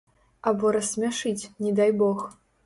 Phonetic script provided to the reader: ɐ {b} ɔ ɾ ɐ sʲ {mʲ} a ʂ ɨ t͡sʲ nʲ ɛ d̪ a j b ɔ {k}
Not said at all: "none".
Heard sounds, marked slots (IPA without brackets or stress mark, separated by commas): b, mʲ, x